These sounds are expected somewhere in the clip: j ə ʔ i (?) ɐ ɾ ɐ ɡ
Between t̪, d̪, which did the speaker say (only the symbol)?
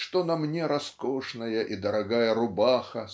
d̪